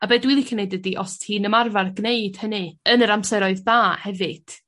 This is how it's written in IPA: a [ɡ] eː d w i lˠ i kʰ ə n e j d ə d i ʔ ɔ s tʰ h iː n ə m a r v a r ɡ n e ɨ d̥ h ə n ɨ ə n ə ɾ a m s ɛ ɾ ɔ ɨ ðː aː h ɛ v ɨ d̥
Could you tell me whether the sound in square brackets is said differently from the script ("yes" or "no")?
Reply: yes